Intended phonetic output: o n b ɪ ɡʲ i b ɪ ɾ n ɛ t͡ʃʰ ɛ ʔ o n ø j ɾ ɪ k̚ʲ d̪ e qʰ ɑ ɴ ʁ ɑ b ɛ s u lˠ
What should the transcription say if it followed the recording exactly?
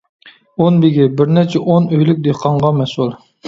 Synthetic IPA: o n b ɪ ɡʲ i b ɪ ɾ n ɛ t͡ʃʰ ɛ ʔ o n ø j l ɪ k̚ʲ d̪ e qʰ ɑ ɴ ʁ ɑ m ɛ s u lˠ